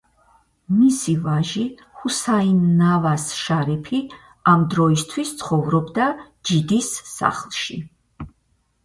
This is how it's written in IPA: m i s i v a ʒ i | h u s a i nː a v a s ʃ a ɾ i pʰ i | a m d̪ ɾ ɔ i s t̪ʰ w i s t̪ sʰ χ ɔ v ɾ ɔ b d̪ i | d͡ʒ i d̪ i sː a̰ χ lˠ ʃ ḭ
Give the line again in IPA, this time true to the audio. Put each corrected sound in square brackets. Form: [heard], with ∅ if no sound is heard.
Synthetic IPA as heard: m i s i v a ʒ i | h u s a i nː a v a s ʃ a ɾ i pʰ i | a m d̪ ɾ ɔ i s t̪ʰ w i s t̪ sʰ χ ɔ v ɾ ɔ b d̪ [a] | d͡ʒ i d̪ i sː a̰ χ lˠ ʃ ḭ